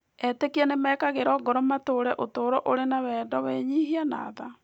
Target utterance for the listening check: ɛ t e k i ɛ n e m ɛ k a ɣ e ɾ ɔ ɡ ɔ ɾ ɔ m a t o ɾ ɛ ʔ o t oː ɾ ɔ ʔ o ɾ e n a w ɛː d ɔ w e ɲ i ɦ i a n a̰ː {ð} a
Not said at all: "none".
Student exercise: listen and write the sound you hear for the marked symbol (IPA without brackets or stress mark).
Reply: ð